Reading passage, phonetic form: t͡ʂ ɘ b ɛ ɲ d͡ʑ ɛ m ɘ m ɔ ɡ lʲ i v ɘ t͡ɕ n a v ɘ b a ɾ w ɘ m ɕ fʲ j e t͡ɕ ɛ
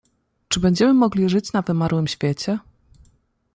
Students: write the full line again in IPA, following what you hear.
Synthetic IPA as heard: t͡ʂ ɘ b ɛ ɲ d͡ʑ ɛ m ɘ m ɔ ɡ lʲ i ʐ ɘ t͡ɕ n a v ɘ m a ɾ w ɘ m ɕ fʲ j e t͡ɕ ɛ